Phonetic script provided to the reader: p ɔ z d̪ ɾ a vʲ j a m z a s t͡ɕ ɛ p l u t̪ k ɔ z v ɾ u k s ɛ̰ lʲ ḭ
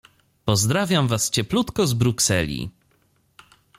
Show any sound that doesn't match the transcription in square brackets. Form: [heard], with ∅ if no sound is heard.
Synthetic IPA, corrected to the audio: p ɔ z d̪ ɾ a vʲ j a m [v] a s t͡ɕ ɛ p l u t̪ k ɔ z [b] ɾ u k s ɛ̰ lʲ ḭ